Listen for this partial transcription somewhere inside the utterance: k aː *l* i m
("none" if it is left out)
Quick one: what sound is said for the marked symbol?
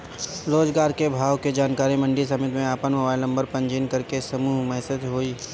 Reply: ɾ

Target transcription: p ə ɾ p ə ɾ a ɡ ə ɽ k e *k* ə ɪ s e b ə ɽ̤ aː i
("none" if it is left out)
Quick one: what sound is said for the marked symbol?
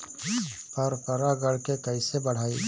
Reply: k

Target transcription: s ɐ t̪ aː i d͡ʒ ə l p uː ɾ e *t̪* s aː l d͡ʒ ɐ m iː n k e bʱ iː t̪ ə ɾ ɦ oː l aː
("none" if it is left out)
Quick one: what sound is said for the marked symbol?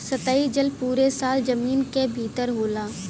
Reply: none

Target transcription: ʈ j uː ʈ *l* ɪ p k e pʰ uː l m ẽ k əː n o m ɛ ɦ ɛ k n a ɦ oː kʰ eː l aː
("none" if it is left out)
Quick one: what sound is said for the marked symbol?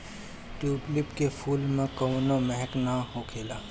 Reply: l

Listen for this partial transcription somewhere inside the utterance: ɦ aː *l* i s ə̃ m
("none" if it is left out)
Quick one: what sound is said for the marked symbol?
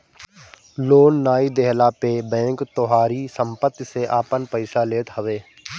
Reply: ɾ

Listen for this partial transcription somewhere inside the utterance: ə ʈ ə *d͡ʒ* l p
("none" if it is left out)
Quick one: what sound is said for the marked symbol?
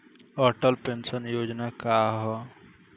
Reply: none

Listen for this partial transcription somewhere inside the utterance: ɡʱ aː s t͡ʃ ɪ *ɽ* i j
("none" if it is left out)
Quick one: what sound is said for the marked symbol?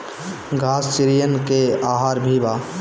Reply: ɾ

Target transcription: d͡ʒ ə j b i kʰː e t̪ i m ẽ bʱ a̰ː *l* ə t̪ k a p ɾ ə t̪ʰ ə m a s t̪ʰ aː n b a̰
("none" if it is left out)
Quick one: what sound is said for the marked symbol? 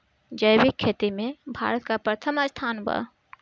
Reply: ɾ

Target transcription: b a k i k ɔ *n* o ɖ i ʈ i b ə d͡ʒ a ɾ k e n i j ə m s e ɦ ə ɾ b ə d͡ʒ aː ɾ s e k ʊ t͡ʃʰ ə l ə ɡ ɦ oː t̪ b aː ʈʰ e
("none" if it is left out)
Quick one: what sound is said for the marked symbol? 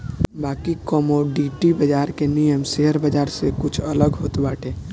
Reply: m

